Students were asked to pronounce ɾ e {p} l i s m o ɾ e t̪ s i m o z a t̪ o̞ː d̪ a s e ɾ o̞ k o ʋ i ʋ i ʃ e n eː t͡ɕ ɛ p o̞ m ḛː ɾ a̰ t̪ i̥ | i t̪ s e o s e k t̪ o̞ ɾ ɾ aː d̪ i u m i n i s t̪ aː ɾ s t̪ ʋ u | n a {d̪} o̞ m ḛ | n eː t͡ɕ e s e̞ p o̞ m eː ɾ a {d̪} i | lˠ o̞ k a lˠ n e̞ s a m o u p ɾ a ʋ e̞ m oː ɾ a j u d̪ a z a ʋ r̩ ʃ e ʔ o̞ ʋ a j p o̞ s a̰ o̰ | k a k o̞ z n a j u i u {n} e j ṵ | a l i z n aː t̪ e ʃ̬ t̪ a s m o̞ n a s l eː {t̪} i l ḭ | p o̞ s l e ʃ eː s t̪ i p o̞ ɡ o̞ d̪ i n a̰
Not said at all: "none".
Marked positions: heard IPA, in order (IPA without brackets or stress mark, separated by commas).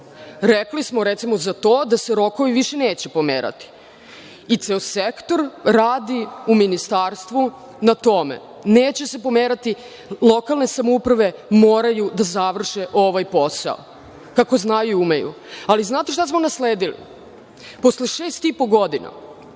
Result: k, t̪, t̪, m, d̪